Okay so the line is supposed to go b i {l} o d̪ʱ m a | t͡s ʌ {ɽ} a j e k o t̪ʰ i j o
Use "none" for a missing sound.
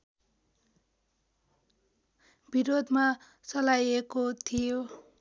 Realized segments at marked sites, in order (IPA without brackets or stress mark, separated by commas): ɾ, l